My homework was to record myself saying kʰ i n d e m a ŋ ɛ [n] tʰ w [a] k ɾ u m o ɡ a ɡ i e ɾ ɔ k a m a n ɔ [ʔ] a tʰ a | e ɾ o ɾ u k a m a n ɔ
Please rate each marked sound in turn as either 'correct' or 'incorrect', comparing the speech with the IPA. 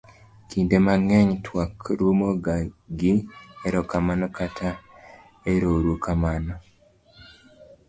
incorrect: ɲ, correct, incorrect: k

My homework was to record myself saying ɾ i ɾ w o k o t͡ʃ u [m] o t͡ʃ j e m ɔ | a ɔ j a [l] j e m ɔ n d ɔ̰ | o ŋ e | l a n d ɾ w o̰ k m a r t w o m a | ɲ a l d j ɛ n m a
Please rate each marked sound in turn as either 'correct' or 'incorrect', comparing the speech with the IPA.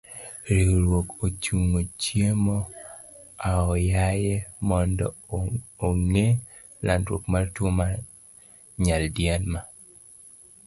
incorrect: ŋ, incorrect: none

